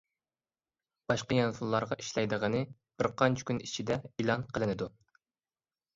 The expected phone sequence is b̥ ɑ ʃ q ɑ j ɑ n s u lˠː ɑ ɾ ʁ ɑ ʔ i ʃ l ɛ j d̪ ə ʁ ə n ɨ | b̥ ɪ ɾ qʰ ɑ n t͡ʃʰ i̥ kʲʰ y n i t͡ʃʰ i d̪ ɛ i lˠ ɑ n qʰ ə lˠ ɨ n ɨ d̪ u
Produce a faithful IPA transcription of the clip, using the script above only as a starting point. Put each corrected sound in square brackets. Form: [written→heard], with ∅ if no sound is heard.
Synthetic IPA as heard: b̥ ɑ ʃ q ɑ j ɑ n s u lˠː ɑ ɾ ʁ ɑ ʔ i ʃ l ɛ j d̪ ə ʁ ə n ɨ | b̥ ɪ ɾ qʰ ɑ n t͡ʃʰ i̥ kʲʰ y n i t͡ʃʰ i d̪ ɛ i lˠ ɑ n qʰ ə lˠ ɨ n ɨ d̪ u